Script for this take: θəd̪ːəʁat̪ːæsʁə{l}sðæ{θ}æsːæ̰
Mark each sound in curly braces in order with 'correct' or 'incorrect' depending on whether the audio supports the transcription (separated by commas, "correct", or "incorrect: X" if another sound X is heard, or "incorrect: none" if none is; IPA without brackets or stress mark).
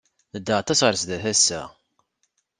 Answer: incorrect: ɾ, correct